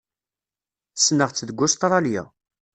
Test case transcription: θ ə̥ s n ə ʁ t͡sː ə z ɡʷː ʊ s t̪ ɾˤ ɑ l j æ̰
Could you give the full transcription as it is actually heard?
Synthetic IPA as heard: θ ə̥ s n ə ʁ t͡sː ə ð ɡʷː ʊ s t̪ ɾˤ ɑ l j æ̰